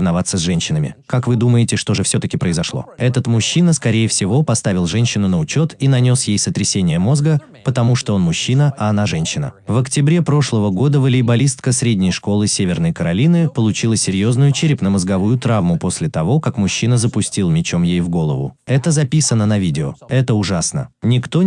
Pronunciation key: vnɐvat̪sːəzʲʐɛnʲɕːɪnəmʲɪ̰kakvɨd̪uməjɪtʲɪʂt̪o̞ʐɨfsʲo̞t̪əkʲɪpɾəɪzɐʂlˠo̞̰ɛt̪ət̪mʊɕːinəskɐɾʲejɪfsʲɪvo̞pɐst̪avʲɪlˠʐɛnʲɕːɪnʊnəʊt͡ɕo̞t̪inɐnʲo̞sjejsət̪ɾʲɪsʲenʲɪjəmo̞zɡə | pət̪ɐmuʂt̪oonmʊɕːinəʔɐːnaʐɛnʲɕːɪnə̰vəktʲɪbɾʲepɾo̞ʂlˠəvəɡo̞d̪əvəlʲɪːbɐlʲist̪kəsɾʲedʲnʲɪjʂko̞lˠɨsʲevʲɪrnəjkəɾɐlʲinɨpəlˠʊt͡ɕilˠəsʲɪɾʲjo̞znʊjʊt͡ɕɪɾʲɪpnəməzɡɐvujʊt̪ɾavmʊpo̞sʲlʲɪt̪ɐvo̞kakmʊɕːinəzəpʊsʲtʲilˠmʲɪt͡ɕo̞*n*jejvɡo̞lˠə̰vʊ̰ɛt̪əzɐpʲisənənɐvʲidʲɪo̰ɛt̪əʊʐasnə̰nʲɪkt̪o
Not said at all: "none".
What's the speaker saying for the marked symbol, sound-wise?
m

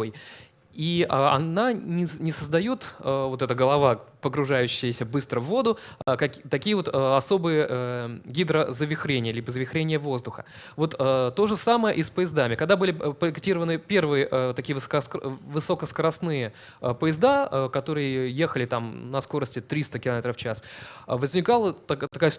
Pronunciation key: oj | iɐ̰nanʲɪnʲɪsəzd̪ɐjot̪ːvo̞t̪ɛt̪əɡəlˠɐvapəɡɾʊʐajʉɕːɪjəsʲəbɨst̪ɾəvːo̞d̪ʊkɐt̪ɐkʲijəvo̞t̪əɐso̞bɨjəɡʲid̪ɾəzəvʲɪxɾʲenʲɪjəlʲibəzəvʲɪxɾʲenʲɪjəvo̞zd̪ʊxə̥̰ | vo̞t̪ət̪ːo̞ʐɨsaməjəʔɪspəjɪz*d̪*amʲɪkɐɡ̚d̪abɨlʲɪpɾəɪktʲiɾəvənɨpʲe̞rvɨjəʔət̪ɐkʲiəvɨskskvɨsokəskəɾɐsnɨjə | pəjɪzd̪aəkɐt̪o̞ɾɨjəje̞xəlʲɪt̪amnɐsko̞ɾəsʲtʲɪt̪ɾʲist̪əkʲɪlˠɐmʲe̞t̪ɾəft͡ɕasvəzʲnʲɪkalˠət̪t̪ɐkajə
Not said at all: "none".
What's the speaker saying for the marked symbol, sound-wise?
d̪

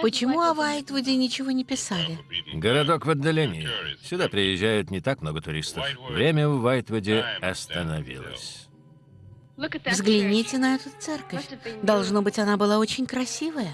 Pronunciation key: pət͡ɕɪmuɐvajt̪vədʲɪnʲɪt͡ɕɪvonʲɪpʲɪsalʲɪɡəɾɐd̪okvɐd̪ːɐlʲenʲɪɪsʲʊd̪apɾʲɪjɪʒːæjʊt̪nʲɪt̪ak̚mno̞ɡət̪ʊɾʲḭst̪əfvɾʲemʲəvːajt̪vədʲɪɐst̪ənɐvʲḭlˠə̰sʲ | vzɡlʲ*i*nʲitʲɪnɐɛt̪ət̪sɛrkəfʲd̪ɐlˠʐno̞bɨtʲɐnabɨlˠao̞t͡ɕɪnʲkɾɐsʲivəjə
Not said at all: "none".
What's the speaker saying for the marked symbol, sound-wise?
ɪ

